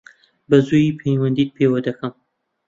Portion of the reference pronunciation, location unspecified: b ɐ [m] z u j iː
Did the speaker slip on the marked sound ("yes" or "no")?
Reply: yes